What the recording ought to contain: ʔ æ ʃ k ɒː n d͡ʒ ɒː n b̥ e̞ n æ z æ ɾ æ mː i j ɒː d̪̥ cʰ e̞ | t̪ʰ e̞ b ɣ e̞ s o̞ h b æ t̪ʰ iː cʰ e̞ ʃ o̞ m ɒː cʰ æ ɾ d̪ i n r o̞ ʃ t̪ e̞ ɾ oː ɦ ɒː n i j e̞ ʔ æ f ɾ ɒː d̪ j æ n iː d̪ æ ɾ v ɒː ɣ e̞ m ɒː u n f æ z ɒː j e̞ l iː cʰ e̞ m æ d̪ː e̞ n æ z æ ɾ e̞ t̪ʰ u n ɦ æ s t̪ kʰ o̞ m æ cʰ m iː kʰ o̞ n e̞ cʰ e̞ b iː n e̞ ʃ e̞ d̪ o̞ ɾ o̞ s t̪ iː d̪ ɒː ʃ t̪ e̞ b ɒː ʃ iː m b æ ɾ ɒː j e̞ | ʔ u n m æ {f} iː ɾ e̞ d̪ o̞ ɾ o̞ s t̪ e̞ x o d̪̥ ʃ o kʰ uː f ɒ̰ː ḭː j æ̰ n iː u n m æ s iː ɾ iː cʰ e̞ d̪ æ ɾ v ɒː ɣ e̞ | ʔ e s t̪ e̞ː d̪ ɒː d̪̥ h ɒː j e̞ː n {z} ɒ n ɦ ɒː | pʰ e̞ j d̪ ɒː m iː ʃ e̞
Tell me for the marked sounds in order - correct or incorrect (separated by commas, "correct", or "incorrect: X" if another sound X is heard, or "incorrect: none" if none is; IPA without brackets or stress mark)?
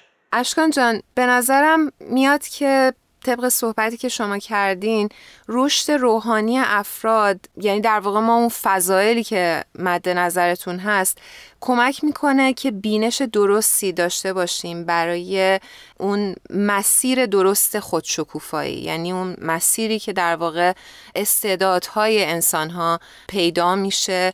incorrect: s, incorrect: s